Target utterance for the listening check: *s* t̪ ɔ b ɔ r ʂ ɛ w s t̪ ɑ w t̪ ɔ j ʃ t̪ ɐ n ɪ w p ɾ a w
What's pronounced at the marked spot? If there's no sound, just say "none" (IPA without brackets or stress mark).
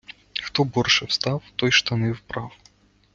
x